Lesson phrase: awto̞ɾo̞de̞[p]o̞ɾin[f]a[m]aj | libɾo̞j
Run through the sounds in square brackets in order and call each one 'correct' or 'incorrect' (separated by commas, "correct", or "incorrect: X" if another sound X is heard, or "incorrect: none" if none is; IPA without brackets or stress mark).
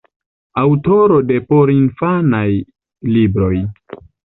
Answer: correct, correct, incorrect: n